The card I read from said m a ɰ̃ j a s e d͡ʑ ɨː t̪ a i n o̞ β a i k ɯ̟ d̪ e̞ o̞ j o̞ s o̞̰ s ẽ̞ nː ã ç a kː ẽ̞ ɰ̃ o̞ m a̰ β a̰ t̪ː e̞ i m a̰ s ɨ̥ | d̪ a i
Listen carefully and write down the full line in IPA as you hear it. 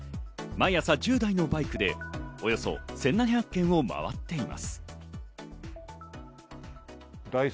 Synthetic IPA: m a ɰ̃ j a s a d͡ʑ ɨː d̪ a i n o̞ b a i k ɯ̟ d̪ e̞ o̞ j o̞ s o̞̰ s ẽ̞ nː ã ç a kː ẽ̞ ɰ̃ o̞ m a̰ β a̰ t̪ː e̞ i m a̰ s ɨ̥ | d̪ a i